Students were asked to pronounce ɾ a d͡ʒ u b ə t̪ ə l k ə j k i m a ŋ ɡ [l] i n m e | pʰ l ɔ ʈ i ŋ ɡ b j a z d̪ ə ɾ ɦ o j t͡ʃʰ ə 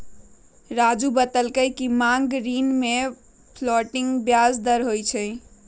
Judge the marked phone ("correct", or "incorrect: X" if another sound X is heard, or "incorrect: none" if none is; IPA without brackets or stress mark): incorrect: ɾ